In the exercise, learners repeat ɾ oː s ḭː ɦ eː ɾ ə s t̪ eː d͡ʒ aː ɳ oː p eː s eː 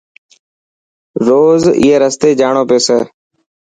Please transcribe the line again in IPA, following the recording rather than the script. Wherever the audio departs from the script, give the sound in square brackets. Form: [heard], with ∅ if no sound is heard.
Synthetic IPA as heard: ɾ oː [z] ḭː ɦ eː ɾ ə s t̪ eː d͡ʒ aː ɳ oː p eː s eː

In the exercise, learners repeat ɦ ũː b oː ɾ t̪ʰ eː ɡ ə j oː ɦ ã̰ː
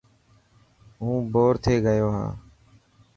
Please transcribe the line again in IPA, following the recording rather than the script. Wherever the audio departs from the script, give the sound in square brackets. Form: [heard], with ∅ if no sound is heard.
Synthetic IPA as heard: ɦ ũː b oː ɾ t̪ʰ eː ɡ ə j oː ɦ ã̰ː

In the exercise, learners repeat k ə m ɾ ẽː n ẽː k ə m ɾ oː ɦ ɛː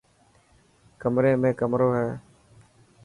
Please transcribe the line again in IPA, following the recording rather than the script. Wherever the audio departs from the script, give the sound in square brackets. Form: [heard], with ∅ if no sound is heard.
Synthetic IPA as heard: k ə m ɾ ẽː [m] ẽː k ə m ɾ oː ɦ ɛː

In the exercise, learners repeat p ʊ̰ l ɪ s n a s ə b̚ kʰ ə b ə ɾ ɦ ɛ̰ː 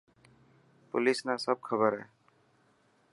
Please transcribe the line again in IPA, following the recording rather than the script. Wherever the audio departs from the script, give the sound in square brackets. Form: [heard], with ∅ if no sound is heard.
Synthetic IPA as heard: p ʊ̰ l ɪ s n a s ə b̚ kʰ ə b ə ɾ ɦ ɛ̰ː

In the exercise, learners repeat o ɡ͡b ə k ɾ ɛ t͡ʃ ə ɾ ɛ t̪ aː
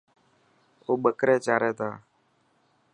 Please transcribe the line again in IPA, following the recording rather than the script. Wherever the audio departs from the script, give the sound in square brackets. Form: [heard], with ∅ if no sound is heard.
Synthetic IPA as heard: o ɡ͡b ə k ɾ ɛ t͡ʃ [a] ɾ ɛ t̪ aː

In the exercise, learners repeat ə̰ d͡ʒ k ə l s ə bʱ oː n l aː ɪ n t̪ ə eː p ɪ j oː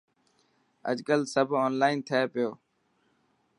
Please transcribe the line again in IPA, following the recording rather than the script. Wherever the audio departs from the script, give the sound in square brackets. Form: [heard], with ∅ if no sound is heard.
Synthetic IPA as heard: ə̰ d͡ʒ k ə l s ə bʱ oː n l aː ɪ n [t̪ʰ] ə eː p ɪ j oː

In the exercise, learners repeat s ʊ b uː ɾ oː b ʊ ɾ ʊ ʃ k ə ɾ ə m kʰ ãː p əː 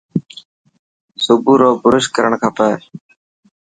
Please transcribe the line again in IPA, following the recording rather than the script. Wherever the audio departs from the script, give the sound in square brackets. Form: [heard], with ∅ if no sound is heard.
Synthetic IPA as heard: s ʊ b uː ɾ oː b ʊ ɾ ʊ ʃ k ə ɾ ə [ɳ] kʰ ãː p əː

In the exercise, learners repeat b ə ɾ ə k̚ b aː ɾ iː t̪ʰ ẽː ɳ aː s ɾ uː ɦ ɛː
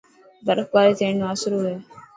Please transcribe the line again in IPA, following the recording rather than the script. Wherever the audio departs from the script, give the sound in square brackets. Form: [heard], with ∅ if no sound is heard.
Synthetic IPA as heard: b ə ɾ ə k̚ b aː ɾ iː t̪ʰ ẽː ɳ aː s ɾ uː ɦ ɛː

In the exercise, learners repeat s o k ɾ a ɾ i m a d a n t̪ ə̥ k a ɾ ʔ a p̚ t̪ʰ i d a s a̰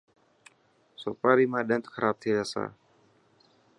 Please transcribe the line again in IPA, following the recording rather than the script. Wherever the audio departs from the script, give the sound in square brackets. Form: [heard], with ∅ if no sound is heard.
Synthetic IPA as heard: s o [p] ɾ a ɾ i m a d a n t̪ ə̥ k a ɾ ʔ a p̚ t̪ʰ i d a s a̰

